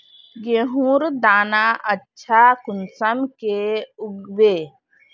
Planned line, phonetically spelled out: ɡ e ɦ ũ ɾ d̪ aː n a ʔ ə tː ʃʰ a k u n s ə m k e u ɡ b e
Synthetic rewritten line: ɡ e ɦ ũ ɾ d̪ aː n a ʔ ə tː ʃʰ a k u n s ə m k e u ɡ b e